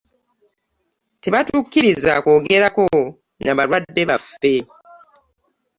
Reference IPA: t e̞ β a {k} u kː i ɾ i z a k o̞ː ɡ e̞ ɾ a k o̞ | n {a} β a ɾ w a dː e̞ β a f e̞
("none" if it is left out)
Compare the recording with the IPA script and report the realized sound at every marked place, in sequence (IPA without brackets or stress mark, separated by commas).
t, a